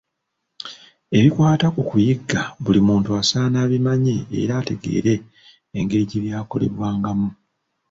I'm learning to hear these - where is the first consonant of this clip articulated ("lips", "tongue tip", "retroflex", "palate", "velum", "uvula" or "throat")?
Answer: lips